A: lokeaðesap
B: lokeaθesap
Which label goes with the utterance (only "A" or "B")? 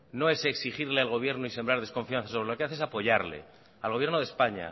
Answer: B